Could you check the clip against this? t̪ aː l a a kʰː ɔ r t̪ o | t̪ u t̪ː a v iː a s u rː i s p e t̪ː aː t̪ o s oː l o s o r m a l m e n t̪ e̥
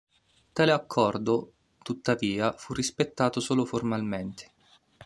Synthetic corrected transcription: t̪ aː l e a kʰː ɔ r d̪ o | t̪ u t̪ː a v iː a f u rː i s p e t̪ː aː t̪ o s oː l o f o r m a l m e n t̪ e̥